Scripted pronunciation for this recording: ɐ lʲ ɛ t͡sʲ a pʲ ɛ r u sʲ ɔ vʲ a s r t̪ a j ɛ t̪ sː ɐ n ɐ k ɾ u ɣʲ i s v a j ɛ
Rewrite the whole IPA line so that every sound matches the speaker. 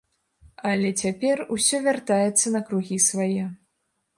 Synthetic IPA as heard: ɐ lʲ ɛ t͡sʲ a pʲ ɛ r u sʲ ɔ vʲ a r t̪ a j ɛ t̪ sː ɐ n ɐ k ɾ u ɣʲ i s v a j ɛ